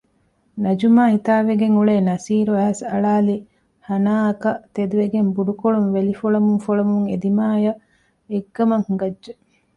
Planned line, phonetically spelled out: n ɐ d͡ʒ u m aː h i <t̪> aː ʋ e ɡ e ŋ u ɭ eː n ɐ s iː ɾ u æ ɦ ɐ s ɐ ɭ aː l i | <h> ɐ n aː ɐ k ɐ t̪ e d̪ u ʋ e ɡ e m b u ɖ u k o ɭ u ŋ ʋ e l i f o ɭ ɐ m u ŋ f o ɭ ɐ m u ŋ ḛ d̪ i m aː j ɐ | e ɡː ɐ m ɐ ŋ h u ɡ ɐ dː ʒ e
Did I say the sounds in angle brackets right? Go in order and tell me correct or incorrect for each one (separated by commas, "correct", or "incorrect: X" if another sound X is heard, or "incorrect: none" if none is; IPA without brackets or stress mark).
correct, correct